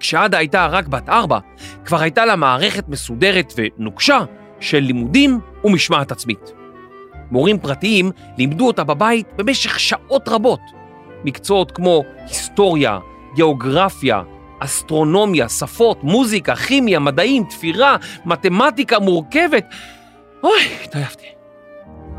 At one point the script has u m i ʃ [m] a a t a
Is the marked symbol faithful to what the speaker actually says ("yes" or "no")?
yes